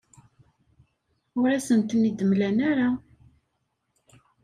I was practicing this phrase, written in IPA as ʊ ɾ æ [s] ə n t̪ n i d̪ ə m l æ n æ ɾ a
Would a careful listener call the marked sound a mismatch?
no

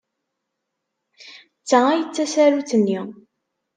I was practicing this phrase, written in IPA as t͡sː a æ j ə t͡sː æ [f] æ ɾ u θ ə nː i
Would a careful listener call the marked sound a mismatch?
yes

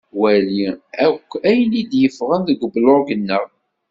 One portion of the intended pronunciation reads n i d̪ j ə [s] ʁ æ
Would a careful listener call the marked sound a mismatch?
yes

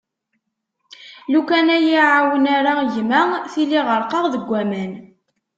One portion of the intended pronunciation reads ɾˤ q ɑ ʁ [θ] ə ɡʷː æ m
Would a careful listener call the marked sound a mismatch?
yes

